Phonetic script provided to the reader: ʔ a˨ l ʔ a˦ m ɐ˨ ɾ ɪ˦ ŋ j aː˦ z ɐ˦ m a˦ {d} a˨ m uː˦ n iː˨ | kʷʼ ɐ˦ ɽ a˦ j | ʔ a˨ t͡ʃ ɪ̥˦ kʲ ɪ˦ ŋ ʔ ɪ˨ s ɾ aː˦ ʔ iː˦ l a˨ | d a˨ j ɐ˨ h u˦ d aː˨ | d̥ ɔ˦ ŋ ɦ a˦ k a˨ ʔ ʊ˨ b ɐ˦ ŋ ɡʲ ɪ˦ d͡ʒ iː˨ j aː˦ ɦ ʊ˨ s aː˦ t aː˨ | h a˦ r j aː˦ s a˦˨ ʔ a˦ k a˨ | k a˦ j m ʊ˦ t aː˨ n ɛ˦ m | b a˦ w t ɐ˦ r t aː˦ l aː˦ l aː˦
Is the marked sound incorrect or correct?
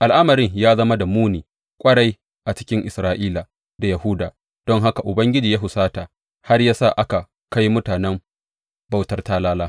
correct